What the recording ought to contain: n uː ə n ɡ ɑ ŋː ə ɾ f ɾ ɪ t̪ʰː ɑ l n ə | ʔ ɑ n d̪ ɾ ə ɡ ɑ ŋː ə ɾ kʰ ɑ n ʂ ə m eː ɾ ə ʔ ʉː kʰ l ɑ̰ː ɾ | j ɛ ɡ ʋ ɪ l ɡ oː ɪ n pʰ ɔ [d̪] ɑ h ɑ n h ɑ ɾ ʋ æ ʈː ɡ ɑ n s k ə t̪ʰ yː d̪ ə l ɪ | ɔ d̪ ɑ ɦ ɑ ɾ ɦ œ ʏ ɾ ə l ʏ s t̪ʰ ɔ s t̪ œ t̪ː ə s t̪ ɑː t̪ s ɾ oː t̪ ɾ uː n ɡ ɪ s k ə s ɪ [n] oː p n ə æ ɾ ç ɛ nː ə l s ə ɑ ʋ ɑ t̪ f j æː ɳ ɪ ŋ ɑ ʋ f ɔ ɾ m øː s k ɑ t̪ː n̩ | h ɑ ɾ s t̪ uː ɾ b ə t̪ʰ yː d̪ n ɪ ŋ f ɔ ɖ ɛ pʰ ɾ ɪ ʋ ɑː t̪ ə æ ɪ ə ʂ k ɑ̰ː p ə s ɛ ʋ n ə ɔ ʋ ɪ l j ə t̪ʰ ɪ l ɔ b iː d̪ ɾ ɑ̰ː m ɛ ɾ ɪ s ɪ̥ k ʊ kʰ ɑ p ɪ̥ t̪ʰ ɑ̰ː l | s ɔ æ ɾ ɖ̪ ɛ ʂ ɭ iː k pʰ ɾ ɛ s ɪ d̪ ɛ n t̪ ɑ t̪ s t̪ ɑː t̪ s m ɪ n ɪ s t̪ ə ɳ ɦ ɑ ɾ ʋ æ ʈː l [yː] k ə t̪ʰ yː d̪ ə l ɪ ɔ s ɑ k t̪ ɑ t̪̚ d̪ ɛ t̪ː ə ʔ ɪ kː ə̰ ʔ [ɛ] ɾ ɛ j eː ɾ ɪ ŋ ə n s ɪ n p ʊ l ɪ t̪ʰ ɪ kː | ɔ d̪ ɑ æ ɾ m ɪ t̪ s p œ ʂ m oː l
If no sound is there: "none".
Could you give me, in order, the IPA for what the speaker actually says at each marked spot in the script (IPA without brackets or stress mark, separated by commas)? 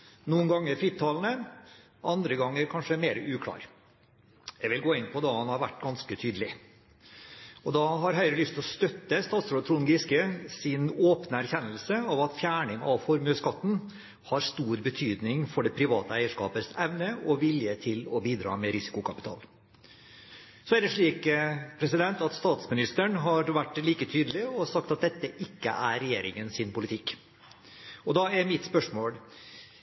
d̪, n, iː, æ